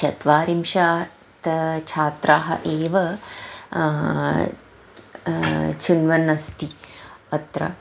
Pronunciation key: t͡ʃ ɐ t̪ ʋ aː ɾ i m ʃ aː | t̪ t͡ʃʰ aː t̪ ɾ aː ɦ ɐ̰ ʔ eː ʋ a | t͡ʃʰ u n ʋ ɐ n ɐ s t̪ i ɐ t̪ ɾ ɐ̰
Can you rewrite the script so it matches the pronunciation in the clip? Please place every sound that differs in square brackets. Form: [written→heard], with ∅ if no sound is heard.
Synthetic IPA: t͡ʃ ɐ t̪ ʋ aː ɾ i m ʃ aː | t̪ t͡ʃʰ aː t̪ ɾ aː ɦ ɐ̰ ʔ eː ʋ [a→ɐ] | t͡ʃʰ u n ʋ ɐ n ɐ s t̪ i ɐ t̪ ɾ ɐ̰